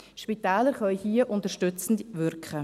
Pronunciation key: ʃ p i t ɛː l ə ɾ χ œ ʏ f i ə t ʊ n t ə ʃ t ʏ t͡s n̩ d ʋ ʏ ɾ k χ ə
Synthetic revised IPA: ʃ p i t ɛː l ə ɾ χ œ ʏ h i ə ʔ ʊ n t ə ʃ t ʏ t͡s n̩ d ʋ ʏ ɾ k χ ə